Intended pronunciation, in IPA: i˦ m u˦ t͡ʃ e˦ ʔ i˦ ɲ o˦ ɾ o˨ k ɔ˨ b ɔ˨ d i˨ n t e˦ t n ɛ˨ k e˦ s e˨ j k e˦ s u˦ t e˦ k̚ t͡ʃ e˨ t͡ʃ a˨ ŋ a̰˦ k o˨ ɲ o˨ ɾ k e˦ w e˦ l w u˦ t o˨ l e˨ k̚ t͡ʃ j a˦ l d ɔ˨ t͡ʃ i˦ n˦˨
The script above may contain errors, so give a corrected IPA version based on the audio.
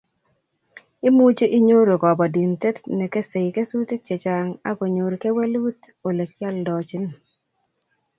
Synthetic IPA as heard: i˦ m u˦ t͡ʃ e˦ ʔ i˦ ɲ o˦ ɾ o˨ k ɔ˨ b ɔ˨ d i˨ n t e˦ t n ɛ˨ k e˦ s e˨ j k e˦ s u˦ t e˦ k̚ t͡ʃ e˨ t͡ʃ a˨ ŋ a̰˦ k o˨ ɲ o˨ ɾ k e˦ w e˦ l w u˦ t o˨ l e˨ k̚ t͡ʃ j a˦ l d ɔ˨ t͡ʃ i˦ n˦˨

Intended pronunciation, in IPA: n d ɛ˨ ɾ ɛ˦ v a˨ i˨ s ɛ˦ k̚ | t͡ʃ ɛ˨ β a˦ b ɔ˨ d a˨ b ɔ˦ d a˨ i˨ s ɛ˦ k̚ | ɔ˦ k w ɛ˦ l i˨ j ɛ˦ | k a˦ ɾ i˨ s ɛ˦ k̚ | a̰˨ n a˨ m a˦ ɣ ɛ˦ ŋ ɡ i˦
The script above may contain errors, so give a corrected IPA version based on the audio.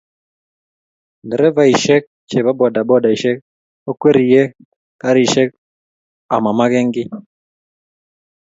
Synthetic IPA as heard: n d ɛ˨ ɾ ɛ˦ v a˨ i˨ ʃ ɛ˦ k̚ | t͡ʃ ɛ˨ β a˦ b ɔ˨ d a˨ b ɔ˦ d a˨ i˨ ʃ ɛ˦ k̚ | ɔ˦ k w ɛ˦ ɾ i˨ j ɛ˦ | k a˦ ɾ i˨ ʃ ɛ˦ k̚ | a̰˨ m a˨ m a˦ ɣ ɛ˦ ŋ ɡ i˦

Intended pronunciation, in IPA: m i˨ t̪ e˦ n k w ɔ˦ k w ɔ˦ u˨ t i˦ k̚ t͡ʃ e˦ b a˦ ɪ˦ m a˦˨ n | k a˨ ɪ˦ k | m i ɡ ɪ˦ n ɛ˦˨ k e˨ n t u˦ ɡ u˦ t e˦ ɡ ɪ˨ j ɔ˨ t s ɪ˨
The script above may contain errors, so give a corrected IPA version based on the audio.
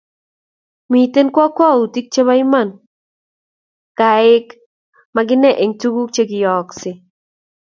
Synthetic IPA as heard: m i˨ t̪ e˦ n k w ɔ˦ k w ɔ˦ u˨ t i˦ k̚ t͡ʃ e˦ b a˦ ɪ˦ m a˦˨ n | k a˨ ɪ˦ k | m a ɡ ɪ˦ n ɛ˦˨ ʔ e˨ ŋ t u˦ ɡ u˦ t͡ʃ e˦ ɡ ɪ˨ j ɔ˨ k s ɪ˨

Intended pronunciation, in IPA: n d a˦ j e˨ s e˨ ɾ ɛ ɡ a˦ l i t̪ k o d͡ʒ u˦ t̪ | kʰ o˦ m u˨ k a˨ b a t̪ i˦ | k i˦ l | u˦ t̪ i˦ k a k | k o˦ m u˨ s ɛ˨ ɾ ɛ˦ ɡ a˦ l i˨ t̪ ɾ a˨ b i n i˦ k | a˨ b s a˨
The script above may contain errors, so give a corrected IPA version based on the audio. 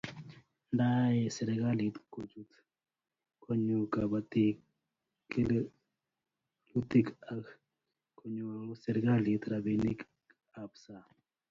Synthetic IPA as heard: n d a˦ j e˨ s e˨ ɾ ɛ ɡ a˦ l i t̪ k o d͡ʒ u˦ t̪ | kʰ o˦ ɲ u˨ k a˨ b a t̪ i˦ | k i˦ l | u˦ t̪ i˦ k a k | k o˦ ɲ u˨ s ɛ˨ ɾ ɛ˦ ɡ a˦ l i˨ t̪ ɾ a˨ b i n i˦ k | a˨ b s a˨

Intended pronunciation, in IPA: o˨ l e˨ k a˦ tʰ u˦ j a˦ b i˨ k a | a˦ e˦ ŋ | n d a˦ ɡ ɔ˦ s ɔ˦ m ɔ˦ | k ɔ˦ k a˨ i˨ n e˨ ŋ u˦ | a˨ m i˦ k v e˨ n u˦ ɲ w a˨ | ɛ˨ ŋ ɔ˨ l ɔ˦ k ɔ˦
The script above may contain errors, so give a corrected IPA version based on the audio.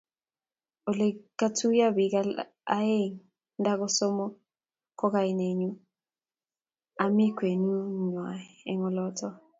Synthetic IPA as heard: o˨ l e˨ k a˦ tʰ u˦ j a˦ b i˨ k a | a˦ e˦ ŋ | n d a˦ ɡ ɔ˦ s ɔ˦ m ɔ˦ | k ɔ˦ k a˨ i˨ n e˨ ɲ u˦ | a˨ m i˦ k w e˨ n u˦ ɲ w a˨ | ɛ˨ ŋ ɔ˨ l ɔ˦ t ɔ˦

